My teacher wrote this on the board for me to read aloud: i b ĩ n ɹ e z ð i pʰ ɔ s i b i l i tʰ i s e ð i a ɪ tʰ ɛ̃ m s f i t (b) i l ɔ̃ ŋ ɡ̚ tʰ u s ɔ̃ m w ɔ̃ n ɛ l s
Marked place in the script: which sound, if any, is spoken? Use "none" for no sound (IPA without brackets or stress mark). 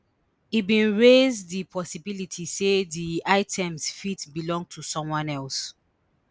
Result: b